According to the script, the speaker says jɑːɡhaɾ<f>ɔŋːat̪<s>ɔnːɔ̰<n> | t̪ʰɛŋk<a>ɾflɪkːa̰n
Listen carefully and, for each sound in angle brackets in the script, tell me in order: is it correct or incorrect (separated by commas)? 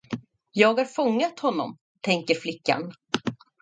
correct, incorrect, incorrect, incorrect